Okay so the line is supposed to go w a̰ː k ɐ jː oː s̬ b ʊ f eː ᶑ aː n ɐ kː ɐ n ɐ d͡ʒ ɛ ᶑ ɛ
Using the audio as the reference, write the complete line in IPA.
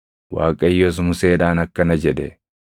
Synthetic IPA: w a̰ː kʼ ɐ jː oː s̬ m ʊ s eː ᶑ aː n ɐ kː ɐ n ɐ d͡ʒ ɛ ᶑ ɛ

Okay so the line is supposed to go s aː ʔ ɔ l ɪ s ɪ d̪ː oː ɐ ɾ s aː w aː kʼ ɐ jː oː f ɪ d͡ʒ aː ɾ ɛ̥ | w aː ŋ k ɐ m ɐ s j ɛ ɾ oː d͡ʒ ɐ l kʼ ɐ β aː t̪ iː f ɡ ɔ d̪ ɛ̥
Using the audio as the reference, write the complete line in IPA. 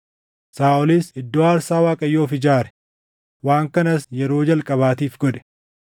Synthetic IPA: s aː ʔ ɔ l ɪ s ɪ d̪ː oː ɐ ɾ s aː w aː kʼ ɐ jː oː f ɪ d͡ʒ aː ɾ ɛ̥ | w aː ŋ k ɐ n ɐ s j ɛ ɾ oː d͡ʒ ɐ l kʼ ɐ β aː t̪ iː f ɡ ɔ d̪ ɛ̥

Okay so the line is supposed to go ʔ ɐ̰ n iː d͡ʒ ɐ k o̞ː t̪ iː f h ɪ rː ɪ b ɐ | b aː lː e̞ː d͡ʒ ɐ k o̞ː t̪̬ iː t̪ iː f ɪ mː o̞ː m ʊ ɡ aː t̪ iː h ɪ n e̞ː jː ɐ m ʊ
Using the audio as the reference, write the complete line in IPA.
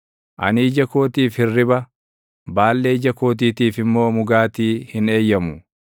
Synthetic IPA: ʔ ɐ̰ n iː d͡ʒ ɐ k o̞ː t̪ iː f h ɪ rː ɪ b ɐ | b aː lː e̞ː d͡ʒ ɐ k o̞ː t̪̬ iː t̪ iː f ɪ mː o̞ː m ʊ ɡ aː t̪ iː h ɪ n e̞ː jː ɐ m ʊ

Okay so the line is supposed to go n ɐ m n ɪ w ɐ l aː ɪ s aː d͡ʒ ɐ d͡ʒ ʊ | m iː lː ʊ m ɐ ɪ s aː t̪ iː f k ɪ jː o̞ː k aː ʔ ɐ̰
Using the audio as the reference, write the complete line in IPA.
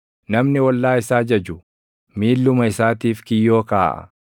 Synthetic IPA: n ɐ m n ɪ w ɐ lː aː ɪ s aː d͡ʒ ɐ d͡ʒ ʊ | m iː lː ʊ m ɐ ɪ s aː t̪ iː f k ɪ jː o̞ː k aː ʔ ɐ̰

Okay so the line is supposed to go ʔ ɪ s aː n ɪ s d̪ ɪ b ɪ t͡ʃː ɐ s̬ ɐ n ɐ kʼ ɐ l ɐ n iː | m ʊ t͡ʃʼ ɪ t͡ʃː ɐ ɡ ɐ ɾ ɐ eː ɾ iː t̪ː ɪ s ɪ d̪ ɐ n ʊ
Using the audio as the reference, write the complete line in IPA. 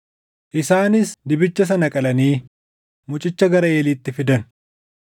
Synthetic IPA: ʔ ɪ s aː n ɪ s d̪ ɪ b ɪ t͡ʃː ɐ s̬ ɐ n ɐ kʼ ɐ l ɐ n iː | m ʊ t͡ʃʼ ɪ t͡ʃː ɐ ɡ ɐ ɾ ɐ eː l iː t̪ː ɪ f ɪ d̪ ɐ n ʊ

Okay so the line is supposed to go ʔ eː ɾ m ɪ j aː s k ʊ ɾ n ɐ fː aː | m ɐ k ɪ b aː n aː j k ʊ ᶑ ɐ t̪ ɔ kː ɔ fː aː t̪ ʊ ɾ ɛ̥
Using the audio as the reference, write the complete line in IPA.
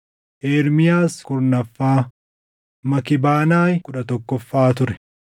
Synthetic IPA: ʔ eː ɾ m ɪ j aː s k ʊ ɾ n ɐ fː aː | m ɐ k ɪ b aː n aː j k ʊ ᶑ ɐ t̪ ɔ kː ɔ fː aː t̪ ʊ ɾ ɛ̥

